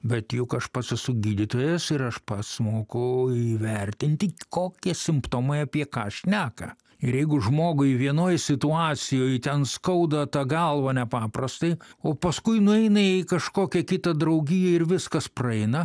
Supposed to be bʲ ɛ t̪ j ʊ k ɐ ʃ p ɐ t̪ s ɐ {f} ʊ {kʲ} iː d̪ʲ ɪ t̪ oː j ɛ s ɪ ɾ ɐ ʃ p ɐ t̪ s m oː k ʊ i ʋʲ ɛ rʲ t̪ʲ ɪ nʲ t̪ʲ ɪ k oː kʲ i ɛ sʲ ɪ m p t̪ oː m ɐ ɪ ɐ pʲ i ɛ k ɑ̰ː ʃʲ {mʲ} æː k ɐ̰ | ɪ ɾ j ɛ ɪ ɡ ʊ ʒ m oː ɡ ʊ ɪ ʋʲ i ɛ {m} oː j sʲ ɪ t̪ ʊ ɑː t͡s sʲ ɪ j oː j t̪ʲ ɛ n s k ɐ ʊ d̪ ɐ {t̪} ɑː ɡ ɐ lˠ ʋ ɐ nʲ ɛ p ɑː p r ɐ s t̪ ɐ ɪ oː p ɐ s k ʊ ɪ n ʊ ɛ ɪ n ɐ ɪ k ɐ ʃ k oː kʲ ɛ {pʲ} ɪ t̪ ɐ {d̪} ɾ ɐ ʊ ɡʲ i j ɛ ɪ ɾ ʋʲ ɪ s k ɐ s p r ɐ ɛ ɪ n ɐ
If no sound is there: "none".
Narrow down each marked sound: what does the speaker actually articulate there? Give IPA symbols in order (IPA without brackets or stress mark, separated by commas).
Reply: s, ɡʲ, nʲ, n, t̪, kʲ, d̪